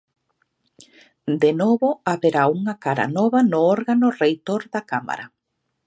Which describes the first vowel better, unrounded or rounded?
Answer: unrounded